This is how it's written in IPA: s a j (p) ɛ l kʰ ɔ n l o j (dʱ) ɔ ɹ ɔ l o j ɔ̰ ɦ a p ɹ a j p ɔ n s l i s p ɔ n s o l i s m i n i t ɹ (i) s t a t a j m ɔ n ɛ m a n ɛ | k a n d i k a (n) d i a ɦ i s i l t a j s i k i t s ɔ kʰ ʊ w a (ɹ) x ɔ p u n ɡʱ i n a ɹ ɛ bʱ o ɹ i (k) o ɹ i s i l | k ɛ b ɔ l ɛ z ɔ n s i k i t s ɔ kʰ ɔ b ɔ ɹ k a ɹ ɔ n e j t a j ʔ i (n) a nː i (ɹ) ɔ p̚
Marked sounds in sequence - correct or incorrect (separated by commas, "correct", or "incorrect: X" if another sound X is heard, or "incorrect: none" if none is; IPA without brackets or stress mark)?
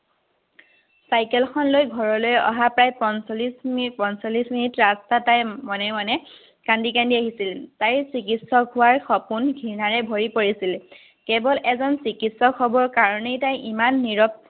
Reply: incorrect: k, incorrect: ɡʱ, incorrect: a, correct, correct, incorrect: p, incorrect: m, correct